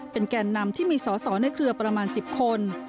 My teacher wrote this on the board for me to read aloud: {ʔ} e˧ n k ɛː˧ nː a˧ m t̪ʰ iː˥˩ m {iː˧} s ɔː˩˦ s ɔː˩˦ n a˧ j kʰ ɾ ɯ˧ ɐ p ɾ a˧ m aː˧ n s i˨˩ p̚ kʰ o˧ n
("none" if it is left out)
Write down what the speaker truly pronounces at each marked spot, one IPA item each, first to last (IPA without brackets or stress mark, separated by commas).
p, iː˧